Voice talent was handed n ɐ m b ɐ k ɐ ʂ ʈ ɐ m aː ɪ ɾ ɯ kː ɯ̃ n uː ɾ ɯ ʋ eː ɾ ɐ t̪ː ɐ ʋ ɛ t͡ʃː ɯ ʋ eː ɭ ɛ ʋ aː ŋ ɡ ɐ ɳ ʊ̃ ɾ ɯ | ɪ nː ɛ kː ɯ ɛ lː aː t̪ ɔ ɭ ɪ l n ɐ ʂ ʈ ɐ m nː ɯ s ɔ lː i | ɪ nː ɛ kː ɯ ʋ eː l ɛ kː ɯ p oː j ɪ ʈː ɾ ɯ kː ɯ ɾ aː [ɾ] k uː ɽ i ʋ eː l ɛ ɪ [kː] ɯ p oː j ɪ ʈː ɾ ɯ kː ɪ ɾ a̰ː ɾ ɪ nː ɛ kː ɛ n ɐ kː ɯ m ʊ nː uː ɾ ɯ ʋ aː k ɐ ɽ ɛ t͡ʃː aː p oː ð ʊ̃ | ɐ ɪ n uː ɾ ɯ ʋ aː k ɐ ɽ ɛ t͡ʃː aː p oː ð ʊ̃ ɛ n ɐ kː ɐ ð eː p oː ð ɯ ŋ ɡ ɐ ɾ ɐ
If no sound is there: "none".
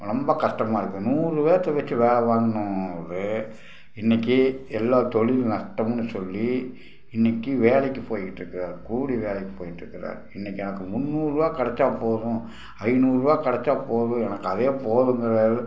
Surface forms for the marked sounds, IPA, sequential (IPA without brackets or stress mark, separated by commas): ɾ, kː